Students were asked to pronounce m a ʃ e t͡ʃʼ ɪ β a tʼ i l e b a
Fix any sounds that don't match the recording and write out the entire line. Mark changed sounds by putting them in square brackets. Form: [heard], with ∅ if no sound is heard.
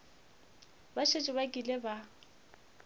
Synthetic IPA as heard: [b] a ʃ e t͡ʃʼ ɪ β a [kʼ] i l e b a